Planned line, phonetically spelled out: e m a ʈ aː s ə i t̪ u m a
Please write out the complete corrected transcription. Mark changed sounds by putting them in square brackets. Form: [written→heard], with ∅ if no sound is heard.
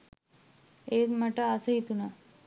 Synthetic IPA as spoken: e m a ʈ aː s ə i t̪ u [m→n] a